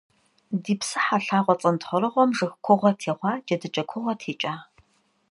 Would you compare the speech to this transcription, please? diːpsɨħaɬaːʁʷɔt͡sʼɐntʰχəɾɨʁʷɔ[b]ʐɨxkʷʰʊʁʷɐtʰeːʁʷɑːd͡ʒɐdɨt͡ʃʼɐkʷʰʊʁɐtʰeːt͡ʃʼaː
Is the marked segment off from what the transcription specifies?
yes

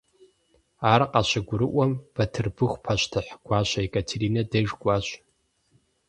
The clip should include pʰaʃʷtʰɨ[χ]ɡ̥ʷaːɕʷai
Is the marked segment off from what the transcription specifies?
yes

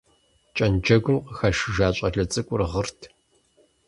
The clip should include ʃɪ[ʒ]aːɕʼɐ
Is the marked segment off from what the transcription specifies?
no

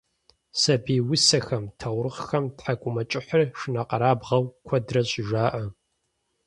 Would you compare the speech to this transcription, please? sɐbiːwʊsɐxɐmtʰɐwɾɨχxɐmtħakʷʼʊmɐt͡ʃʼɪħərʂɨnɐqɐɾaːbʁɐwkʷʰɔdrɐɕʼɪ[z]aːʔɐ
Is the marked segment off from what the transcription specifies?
yes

